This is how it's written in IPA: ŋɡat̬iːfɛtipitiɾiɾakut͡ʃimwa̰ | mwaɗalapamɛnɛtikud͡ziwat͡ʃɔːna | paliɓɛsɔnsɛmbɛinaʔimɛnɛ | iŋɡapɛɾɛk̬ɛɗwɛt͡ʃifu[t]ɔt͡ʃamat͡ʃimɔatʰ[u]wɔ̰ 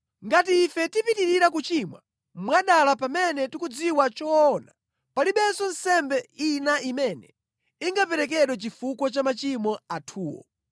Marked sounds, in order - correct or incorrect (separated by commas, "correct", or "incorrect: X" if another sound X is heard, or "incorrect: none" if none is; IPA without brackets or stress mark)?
incorrect: k, incorrect: uː